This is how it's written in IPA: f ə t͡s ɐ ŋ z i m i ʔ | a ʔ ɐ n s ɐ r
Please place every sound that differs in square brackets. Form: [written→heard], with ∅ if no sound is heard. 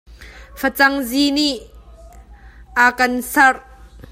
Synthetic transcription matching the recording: f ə t͡s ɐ ŋ z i [m→n] i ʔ | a [ʔ→k] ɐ n s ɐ r

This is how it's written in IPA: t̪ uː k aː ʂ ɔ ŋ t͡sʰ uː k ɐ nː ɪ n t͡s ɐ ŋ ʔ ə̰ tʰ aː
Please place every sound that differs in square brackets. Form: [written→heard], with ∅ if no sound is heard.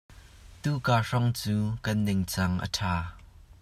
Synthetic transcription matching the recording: t̪ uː k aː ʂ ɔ ŋ [t͡sʰ→t͡s] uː k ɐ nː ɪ [n→ŋ] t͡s ɐ ŋ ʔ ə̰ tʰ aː

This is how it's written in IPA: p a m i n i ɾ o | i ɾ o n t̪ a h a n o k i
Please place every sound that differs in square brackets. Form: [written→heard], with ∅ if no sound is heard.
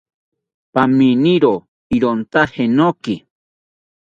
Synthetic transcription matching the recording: p a m i n i ɾ o | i ɾ o n t̪ a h [a→e] n o k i

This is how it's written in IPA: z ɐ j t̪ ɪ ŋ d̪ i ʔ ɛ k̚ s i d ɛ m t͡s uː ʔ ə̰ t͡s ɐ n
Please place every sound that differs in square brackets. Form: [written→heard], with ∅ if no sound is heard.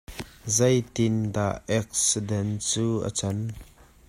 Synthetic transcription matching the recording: z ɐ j t̪ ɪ [ŋ→n] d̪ [i→a] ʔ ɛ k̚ s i d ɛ [m→n] t͡s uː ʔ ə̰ t͡s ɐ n

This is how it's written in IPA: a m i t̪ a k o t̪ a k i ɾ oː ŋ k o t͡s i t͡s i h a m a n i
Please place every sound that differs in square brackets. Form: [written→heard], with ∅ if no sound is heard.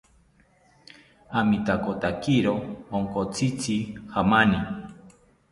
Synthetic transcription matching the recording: a m i t̪ a k o t̪ a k i ɾ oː ŋ k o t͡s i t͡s i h a m a n i

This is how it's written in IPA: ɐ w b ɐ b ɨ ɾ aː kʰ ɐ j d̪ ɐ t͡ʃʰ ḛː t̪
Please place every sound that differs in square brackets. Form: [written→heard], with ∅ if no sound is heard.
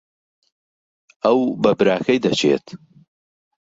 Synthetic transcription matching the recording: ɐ w b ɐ b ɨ ɾ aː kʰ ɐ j d̪ ɐ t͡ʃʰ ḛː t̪

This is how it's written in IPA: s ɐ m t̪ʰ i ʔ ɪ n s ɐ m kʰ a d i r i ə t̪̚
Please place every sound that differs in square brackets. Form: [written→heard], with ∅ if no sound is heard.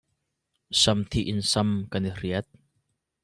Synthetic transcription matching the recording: s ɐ m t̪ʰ i ʔ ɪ n s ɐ m [kʰ→k] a [d→n] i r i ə t̪̚

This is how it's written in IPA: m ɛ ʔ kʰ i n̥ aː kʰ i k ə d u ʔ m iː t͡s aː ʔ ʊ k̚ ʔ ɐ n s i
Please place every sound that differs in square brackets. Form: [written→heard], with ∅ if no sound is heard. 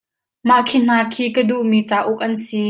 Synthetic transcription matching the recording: m [ɛ→a] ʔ kʰ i n̥ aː kʰ [i→iː] k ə d u ʔ m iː t͡s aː ʔ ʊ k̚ ʔ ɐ n s i

